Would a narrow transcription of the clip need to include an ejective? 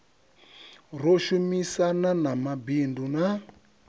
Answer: no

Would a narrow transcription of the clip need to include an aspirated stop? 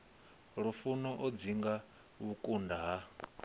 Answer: no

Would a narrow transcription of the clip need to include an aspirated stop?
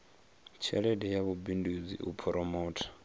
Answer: yes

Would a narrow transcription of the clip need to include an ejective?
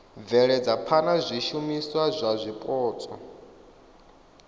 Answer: yes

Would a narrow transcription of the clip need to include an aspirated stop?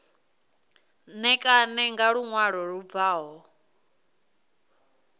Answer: no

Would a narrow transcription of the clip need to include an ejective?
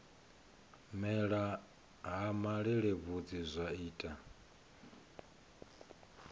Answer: yes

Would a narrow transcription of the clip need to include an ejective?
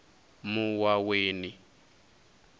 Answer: no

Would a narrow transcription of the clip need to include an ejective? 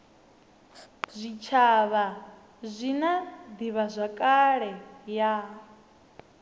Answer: yes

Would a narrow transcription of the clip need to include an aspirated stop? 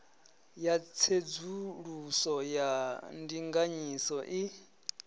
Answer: yes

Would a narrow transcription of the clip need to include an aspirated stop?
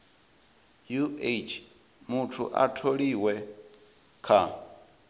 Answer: yes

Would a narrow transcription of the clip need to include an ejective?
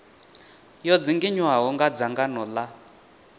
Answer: no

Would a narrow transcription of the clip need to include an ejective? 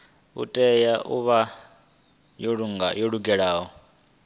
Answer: yes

